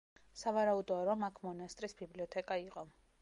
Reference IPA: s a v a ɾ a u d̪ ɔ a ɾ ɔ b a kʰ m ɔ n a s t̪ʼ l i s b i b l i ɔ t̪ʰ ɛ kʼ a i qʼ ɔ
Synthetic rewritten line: s a v a ɾ a u d̪ ɔ a ɾ ɔ m a kʰ m ɔ n a s t̪ʼ ɾ i s b i b l i ɔ t̪ʰ ɛ kʼ a i qʼ ɔ